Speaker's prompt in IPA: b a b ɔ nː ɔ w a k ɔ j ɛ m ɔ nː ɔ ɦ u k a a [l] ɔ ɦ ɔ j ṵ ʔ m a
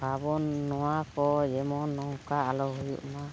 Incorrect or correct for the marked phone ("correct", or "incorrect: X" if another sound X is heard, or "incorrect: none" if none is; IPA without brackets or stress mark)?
correct